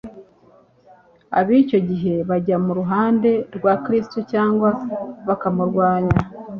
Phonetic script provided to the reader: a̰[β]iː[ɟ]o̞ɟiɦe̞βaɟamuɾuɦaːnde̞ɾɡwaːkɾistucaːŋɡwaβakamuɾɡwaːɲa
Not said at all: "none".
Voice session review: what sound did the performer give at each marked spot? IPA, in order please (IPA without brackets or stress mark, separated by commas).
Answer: β, c